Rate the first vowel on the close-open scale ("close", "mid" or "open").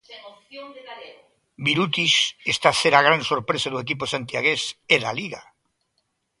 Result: close